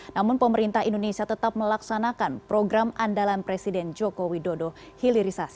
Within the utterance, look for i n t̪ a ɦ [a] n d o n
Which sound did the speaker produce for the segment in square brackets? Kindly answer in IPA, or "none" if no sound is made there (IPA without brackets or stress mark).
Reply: i